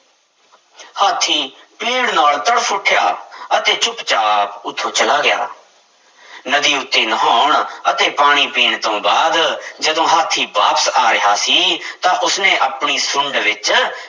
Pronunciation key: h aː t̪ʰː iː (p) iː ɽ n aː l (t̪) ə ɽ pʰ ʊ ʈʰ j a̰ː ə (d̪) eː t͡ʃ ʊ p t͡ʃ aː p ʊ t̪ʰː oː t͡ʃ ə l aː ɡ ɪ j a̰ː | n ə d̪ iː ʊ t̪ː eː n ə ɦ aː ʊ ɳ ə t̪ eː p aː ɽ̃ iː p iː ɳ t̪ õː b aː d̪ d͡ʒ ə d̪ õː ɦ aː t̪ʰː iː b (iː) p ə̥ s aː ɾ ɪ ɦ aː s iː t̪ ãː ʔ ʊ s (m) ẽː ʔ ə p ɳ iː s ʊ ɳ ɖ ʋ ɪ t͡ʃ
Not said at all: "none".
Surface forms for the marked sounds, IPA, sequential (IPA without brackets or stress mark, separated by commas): p, t̪, t̪, aː, n